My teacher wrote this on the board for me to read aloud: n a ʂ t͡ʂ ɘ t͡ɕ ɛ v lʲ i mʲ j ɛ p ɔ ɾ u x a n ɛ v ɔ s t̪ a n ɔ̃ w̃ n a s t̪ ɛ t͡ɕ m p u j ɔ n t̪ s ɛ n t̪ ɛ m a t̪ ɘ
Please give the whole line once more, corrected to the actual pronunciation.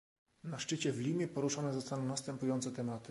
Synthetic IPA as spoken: n a ʂ t͡ʂ ɘ t͡ɕ ɛ v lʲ i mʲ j ɛ p ɔ ɾ u ʂ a n ɛ z ɔ s t̪ a n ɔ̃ w̃ n a s t̪ ɛ m p u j ɔ n t̪ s ɛ t̪ ɛ m a t̪ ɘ